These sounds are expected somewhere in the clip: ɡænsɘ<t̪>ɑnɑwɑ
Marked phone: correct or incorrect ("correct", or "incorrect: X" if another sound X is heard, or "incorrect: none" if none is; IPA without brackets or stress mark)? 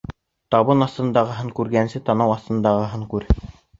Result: correct